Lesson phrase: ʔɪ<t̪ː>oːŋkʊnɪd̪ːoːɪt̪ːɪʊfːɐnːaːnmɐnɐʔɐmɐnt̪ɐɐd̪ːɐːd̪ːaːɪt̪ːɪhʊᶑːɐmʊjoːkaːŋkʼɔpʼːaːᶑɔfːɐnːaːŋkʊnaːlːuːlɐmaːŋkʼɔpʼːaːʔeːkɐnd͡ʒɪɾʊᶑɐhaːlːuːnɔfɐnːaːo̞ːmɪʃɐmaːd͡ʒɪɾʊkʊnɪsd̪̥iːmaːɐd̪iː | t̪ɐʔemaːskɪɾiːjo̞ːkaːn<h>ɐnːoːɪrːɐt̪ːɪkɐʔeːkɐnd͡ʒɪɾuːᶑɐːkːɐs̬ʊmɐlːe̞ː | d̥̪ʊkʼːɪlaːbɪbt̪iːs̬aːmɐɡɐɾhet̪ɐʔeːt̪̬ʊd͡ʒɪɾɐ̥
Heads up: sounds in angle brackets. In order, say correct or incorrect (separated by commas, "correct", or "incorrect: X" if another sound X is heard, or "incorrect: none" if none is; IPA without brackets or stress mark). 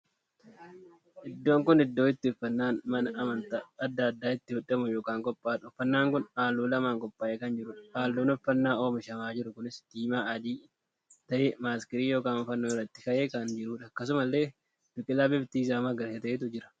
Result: incorrect: d̪ː, incorrect: f